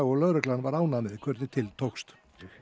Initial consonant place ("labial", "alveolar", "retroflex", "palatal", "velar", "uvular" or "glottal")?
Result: velar